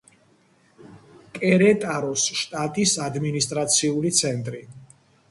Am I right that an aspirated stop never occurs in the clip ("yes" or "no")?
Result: yes